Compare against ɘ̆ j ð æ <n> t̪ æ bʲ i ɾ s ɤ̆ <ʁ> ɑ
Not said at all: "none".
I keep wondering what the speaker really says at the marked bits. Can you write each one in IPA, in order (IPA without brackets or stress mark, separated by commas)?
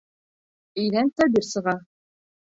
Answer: n, ʁ